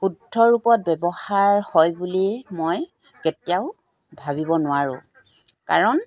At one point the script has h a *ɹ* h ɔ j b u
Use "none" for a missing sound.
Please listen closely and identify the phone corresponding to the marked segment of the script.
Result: ɹ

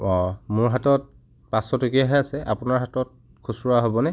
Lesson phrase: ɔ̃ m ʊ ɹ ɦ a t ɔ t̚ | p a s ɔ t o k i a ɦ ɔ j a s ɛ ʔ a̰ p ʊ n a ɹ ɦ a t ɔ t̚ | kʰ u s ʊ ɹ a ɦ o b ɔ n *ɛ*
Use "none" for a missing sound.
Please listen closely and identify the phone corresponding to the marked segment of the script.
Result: ɛ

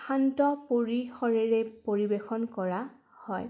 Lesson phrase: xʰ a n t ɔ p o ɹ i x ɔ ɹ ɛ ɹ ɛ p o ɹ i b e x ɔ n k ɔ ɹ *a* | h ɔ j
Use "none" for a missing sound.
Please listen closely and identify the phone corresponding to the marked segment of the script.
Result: a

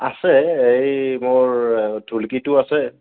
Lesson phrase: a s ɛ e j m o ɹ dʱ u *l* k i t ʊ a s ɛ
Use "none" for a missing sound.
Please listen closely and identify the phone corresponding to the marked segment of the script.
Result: l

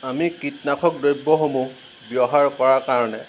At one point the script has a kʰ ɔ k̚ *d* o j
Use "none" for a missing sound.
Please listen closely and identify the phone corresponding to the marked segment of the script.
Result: d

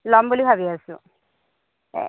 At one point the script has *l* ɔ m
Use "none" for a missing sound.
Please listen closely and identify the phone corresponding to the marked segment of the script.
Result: l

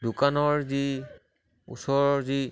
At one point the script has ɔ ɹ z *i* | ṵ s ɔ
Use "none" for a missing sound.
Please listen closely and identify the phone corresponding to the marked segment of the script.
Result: i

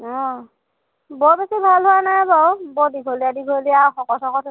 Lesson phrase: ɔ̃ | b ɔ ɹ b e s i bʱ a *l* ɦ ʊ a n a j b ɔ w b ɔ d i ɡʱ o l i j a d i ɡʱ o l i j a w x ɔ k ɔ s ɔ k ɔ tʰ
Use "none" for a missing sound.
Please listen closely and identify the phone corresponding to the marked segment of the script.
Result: l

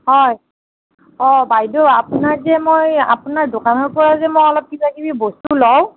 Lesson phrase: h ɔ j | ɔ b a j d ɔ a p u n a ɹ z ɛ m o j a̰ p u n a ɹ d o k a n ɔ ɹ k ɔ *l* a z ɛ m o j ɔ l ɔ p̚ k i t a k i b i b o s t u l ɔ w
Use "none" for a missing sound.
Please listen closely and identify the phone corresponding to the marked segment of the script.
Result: ɹ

